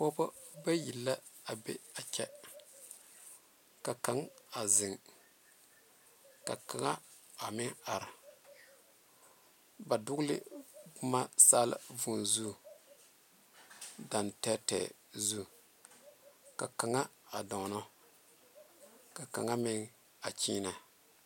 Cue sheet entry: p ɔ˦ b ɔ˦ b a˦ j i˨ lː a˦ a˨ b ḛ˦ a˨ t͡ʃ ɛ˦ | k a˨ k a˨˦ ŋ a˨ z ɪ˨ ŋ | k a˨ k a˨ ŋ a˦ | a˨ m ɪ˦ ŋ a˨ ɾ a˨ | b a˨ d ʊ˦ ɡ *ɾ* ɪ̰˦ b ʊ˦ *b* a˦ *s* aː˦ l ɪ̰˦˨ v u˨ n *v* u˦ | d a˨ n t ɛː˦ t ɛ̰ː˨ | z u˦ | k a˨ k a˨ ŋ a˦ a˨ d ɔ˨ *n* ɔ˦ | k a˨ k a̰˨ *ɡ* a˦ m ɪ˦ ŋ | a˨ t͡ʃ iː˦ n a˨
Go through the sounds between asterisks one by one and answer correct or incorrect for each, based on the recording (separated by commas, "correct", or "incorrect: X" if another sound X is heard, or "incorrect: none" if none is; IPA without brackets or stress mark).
incorrect: l, incorrect: m, correct, incorrect: z, correct, incorrect: ŋ